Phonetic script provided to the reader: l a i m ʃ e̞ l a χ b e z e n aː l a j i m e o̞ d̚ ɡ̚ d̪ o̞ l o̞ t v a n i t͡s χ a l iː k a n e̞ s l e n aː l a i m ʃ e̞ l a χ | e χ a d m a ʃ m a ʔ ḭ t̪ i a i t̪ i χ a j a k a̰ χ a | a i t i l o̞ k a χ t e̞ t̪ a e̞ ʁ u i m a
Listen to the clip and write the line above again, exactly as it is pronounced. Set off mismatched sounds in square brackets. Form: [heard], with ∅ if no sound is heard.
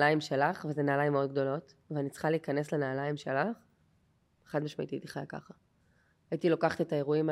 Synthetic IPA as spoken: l a i m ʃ e̞ l a χ [v] e z e n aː l a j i m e o̞ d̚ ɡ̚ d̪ o̞ l o̞ t v a n i t͡s χ a l iː k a n e̞ s l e n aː l a i m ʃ e̞ l a χ | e χ a d m a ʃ m a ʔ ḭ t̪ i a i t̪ i χ a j a k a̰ χ a | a i t i l o̞ k a χ t e̞ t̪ a e̞ ʁ u i m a